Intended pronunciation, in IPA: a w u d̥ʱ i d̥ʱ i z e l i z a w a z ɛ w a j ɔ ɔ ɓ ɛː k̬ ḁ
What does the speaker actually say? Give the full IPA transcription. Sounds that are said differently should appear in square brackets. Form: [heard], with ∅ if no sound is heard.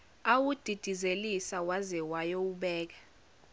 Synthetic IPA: a w u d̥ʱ i d̥ʱ i z e l i [s] a w a z ɛ w a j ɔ [u] ɓ ɛː k̬ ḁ